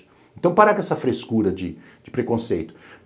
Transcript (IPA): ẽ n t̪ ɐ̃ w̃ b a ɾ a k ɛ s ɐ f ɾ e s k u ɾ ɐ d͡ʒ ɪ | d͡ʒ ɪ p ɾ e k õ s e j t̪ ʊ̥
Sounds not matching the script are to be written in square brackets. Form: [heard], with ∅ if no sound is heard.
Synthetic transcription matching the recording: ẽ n t̪ ɐ̃ w̃ [p] a ɾ a k ɛ s ɐ f ɾ e s k u ɾ ɐ d͡ʒ ɪ | d͡ʒ ɪ p ɾ e k õ s e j t̪ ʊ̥